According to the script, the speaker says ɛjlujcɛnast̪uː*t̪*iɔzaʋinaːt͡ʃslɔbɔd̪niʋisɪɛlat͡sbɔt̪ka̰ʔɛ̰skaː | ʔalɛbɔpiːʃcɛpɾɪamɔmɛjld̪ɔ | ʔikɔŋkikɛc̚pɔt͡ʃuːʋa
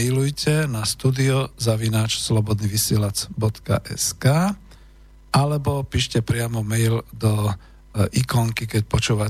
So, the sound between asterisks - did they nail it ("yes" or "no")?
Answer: no